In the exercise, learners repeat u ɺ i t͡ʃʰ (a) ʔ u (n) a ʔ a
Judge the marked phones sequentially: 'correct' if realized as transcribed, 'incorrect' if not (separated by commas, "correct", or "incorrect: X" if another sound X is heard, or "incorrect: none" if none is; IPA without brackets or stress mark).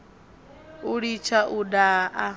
correct, incorrect: d